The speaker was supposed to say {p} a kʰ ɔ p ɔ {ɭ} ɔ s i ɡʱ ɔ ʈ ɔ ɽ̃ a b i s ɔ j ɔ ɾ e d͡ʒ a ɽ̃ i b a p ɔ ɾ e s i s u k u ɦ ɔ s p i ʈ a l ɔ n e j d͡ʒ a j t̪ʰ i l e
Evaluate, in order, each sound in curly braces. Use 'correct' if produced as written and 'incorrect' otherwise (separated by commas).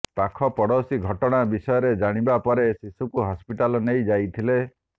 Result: correct, incorrect